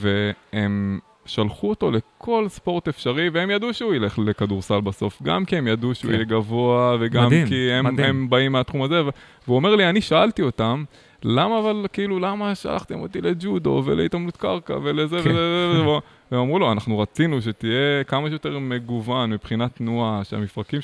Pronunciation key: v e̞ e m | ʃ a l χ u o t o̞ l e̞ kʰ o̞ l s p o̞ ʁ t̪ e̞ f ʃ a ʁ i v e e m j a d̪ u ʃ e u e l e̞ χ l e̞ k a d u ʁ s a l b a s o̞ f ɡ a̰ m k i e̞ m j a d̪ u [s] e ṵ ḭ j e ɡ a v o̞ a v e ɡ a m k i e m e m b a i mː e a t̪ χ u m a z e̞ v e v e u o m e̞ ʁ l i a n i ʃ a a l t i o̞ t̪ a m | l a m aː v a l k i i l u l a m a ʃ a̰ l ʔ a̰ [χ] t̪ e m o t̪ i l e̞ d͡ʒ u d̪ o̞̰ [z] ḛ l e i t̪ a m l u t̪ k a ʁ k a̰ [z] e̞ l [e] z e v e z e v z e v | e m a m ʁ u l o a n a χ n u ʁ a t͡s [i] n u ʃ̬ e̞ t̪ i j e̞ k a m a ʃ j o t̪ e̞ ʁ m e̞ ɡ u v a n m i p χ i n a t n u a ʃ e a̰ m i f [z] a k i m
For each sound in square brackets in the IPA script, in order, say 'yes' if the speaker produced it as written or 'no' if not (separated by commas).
no, yes, no, no, yes, yes, no